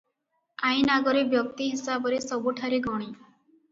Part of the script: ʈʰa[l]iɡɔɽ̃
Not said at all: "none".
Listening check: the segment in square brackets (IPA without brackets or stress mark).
ɾ